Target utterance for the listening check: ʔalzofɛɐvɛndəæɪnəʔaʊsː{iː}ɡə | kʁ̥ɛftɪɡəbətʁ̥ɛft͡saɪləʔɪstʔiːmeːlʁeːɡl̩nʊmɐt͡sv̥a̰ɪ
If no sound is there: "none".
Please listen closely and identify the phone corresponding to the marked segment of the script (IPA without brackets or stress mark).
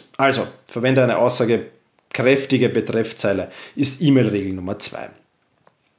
aː